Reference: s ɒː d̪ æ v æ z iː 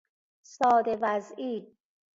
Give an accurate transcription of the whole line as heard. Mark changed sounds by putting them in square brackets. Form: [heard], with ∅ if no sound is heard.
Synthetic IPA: s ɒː d̪ [e] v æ z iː